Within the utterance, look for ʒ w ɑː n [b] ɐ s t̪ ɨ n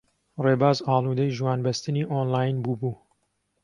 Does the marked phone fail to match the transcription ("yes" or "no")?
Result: no